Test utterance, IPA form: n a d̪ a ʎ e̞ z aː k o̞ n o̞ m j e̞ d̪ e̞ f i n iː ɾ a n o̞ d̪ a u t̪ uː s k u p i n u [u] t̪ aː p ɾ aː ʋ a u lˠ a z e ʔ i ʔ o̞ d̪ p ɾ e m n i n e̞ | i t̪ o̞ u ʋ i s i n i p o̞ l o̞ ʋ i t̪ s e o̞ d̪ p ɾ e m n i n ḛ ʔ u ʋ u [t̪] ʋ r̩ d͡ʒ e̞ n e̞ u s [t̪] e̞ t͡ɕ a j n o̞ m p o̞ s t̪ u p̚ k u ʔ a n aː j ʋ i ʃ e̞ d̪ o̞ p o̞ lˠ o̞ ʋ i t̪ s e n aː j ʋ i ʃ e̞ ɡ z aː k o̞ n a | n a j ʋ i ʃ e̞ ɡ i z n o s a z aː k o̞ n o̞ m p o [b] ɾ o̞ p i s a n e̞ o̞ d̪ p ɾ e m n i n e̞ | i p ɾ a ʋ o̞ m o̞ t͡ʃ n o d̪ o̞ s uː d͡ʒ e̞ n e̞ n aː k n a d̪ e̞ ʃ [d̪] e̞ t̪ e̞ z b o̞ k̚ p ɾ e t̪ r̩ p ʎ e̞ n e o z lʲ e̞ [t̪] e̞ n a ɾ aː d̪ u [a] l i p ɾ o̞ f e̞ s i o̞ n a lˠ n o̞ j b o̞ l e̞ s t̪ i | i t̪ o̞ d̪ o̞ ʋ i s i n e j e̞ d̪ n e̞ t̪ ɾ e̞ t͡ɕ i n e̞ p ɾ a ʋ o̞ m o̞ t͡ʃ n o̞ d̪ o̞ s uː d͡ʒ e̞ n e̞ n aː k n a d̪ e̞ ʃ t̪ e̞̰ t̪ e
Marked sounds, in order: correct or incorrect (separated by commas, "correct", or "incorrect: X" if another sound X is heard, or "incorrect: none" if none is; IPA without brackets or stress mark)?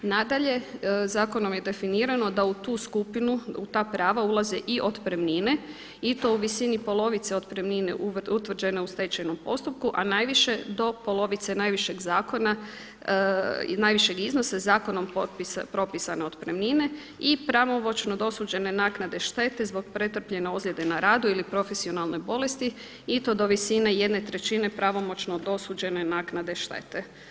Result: correct, correct, correct, incorrect: p, incorrect: t̪, incorrect: d̪, incorrect: i